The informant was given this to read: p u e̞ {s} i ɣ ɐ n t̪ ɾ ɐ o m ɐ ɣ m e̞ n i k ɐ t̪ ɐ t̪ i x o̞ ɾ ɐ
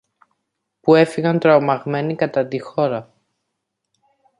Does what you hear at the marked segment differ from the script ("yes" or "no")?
yes